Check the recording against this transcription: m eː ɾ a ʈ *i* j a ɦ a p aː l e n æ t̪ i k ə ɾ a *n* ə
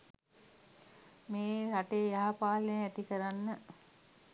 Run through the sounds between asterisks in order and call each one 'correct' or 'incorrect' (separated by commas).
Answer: incorrect, incorrect